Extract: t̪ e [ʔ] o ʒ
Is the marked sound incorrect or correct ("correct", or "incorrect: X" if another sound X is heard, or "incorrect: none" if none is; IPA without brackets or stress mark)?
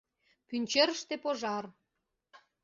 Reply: incorrect: p